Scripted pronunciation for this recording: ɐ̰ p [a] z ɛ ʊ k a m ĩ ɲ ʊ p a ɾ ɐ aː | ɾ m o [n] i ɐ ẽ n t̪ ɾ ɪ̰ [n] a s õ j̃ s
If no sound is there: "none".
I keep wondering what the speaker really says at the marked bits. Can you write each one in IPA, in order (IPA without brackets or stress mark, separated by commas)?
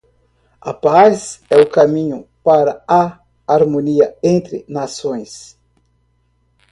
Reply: a, n, n